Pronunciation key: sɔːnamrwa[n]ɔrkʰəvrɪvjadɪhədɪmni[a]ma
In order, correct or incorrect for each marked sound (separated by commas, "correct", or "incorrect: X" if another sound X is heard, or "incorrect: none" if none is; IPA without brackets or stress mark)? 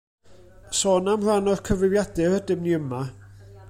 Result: correct, incorrect: ə